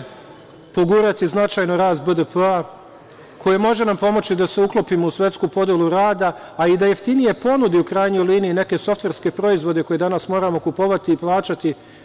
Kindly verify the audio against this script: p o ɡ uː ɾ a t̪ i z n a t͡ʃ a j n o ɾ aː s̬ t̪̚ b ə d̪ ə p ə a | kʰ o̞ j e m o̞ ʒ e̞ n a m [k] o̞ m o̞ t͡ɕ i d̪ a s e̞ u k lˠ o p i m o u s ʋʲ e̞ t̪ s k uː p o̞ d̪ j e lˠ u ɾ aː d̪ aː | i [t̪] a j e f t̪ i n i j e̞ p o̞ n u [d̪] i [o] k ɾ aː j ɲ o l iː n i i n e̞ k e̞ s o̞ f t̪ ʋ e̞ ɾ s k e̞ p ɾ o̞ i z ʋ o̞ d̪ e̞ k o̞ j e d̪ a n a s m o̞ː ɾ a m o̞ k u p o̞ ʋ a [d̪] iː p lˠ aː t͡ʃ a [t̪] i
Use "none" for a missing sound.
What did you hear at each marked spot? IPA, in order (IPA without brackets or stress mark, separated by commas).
p, d̪, d̪, u, t̪, t̪